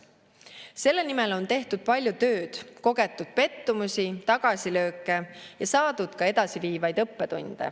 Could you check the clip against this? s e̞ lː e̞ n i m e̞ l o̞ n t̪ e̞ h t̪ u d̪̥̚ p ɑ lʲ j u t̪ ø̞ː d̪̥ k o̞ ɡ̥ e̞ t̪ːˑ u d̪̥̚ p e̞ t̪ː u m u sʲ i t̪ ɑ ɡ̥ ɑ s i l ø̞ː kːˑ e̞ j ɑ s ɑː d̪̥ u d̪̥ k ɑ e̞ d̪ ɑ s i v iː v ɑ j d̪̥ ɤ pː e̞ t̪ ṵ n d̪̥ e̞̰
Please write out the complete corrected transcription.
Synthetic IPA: s e̞ lː e̞ n i m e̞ l o̞ n t̪ e̞ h t̪ u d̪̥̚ p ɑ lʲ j u t̪ ø̞ː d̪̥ k o̞ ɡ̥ e̞ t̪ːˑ u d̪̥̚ p e̞ t̪ː u m u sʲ i t̪ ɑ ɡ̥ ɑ s i l ø̞ː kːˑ e̞ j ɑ s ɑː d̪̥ u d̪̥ k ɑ e̞ d̪ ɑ s i v iː v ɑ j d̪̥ ɤ pː e̞ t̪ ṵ n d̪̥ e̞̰